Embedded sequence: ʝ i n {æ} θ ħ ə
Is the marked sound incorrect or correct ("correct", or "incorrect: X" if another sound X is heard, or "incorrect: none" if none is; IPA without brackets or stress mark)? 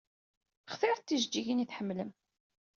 incorrect: i